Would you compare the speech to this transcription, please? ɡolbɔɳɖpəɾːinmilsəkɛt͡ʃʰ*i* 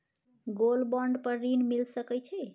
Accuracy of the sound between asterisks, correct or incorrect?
incorrect